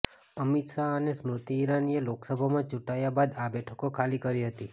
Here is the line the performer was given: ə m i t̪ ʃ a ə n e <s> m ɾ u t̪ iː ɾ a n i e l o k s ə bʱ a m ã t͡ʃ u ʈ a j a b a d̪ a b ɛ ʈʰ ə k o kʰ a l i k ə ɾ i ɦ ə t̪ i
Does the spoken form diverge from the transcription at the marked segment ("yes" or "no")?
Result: no